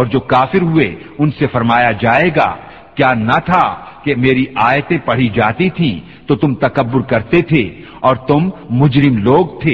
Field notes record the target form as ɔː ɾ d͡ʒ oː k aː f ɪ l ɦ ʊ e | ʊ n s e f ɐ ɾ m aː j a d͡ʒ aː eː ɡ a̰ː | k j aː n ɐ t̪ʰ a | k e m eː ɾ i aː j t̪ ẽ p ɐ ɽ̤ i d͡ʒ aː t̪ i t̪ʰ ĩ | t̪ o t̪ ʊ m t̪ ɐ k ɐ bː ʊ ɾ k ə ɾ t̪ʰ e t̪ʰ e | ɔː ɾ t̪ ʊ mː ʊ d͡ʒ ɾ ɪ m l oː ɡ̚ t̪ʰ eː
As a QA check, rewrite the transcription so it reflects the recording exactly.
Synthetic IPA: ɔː ɾ d͡ʒ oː k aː f ɪ ɾ ɦ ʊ e | ʊ n s e f ɐ ɾ m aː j a d͡ʒ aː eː ɡ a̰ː | k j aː n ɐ t̪ʰ a | k e m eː ɾ i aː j t̪ ẽ p ɐ ɽ̤ i d͡ʒ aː t̪ i t̪ʰ ĩ | t̪ o t̪ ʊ m t̪ ɐ k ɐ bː ʊ ɾ k ɐ ɾ t̪ e t̪ʰ e | ɔː ɾ t̪ ʊ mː ʊ d͡ʒ ɾ ɪ m l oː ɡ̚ t̪ʰ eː